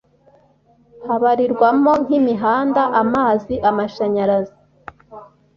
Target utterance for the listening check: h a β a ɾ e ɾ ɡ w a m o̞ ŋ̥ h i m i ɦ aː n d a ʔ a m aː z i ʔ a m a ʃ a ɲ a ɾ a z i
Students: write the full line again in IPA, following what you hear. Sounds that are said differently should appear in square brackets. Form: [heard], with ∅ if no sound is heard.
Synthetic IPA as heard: h a β a ɾ [i] ɾ ɡ w a m o̞ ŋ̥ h i m i ɦ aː n d a ʔ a m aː z i ʔ a m a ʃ a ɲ a ɾ a z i